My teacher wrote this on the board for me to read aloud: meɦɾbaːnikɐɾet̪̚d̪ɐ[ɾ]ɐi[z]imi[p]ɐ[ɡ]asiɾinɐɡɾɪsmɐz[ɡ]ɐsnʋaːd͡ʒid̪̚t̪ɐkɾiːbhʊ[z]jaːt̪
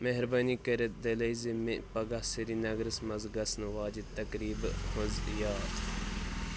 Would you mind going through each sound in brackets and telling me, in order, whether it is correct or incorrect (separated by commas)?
incorrect, correct, correct, correct, correct, correct